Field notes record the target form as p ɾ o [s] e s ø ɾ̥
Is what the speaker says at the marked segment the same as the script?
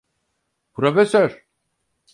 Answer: no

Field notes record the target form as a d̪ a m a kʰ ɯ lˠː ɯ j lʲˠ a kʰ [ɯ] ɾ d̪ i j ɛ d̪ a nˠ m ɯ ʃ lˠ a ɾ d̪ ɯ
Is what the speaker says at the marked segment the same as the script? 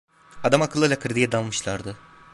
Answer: yes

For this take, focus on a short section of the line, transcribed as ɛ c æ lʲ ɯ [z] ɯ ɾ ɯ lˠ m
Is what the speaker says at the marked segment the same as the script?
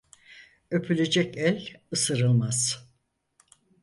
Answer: no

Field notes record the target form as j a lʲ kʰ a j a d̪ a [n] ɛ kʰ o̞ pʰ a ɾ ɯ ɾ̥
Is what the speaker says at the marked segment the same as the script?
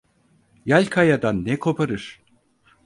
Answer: no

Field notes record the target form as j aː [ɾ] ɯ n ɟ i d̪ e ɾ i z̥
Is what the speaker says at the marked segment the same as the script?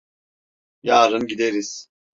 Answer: yes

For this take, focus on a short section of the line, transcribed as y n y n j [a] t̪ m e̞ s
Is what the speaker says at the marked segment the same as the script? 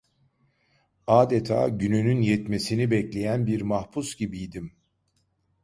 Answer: no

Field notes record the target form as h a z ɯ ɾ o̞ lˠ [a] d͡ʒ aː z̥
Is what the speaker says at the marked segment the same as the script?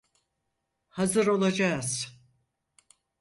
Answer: yes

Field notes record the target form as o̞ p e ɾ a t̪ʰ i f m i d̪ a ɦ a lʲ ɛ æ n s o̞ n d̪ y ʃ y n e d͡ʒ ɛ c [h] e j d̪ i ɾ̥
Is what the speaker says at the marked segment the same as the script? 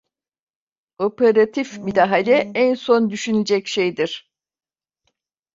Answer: no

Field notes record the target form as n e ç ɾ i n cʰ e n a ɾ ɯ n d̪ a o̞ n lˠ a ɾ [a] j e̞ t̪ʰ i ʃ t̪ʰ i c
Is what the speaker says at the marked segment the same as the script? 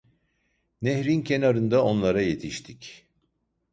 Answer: yes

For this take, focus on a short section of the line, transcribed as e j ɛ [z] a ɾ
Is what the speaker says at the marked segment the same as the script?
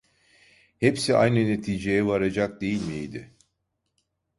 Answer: no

